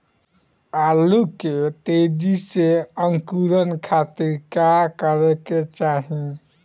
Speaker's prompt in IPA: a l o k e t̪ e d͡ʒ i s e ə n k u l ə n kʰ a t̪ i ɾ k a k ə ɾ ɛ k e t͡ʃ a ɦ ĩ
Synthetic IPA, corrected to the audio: a l u k e t̪ e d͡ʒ i s e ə ŋ k u ɾ ə n kʰ a t̪ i ɾ k a k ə ɾ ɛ k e t͡ʃ a ɦ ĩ

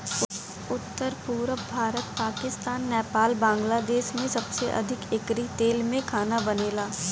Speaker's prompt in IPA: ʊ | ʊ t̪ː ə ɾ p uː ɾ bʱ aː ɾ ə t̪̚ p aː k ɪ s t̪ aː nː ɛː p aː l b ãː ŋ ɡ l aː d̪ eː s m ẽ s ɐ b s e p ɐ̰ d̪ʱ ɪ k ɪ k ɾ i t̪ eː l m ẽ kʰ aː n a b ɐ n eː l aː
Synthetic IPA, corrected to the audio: ʊ | ʊ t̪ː ə ɾ p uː ɾ bʱ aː ɾ ə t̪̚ p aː k ɪ s t̪ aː nː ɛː p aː l b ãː ŋ ɡ l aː d̪ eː ʃ m ẽ s ɐ b s e ʔ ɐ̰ d̪ʱ ɪ k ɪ k ɾ i t̪ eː l m ẽ kʰ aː n a b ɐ n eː l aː

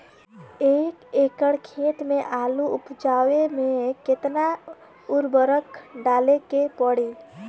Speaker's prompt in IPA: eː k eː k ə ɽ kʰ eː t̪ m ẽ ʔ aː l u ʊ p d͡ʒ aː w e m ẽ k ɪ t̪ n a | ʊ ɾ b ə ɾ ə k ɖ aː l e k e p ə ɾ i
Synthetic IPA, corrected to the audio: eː k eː k ə ɽ kʰ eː t̪ m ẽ ʔ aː l u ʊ p d͡ʒ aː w e m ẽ k ɪ t̪ n a | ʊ ɾ b ə ɾ ə k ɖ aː l e k e p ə ɽ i

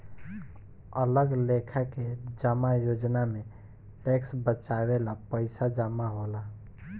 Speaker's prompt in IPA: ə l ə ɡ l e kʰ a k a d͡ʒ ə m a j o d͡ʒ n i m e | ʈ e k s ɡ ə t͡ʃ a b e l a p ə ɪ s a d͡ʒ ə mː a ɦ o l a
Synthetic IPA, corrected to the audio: ə l ə ɡ l e kʰ a k e d͡ʒ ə m a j o d͡ʒ n a m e | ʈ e k s b ə t͡ʃ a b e l a p ə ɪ s a d͡ʒ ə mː a ɦ o l a

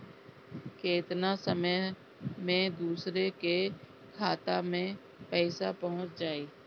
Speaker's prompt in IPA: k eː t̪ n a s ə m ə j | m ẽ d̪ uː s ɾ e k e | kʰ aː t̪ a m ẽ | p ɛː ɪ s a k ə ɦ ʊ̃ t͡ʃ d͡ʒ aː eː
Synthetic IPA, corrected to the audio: k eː t̪ n a s ə m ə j | m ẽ d̪ uː s ɾ e k e | kʰ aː t̪ a m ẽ | p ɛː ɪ s a p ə ɦ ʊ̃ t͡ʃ d͡ʒ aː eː

